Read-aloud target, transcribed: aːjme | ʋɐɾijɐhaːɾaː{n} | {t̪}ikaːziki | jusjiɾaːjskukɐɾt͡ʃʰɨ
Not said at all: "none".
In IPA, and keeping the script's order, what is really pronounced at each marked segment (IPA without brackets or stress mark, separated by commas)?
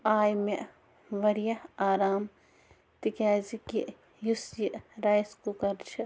m, t̪